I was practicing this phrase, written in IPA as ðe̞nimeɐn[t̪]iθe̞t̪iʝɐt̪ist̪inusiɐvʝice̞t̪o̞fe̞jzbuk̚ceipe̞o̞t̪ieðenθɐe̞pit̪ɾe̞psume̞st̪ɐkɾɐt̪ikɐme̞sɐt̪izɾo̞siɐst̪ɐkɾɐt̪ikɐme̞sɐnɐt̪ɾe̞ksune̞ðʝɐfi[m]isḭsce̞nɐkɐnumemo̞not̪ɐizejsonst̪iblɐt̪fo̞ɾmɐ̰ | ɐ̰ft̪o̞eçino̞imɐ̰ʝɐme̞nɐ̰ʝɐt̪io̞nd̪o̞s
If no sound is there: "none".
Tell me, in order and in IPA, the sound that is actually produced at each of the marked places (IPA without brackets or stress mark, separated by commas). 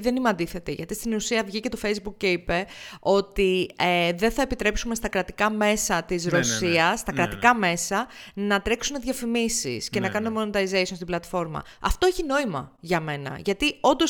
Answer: d̪, m